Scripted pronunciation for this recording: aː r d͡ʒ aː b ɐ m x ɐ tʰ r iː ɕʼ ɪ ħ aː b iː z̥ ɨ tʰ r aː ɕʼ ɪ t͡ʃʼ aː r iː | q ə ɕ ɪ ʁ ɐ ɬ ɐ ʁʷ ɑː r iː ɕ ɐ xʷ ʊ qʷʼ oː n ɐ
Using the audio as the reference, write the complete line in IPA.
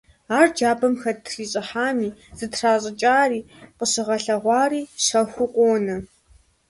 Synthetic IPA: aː r d͡ʒ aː b ɐ m x ɐ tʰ r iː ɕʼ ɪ ħ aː m iː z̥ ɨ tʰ r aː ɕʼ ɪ t͡ʃʼ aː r iː | q ə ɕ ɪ ʁ ɐ ɬ ɐ ʁʷ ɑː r iː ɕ ɐ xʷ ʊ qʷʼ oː n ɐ